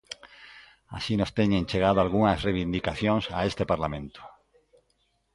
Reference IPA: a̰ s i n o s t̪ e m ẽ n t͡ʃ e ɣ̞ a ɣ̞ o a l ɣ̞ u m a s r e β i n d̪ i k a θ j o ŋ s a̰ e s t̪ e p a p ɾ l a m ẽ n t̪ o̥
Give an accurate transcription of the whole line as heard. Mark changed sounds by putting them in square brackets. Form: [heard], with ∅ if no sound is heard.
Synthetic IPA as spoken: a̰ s i n o s t̪ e [ɲ] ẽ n t͡ʃ e ɣ̞ a [ð̞] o a l ɣ̞ u [ŋ] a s r e β i n d̪ i k a θ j o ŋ s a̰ e s t̪ e p a [∅] ɾ l a m ẽ n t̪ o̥